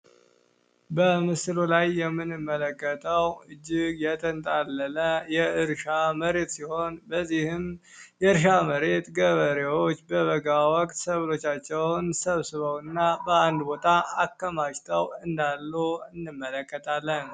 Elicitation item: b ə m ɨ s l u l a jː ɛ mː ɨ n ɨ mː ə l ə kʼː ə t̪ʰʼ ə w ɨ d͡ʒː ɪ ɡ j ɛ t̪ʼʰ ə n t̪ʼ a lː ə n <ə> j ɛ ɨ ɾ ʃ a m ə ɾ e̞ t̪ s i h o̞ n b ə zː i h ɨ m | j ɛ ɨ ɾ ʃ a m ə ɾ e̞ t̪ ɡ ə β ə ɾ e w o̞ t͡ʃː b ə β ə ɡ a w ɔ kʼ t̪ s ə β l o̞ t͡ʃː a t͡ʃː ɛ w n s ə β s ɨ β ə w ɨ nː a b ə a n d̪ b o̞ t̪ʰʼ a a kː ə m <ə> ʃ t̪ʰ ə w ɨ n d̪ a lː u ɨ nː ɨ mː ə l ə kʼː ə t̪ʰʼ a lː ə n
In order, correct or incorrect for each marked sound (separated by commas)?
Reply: correct, incorrect